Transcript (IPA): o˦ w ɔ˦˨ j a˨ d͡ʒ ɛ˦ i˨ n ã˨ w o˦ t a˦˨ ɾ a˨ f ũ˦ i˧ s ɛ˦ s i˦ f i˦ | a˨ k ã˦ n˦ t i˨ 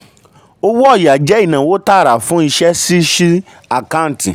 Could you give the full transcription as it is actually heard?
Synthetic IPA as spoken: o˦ w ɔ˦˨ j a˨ d͡ʒ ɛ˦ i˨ n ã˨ w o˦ t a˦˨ ɾ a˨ f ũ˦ i˧ ʃ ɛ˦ s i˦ ʃ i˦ | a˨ k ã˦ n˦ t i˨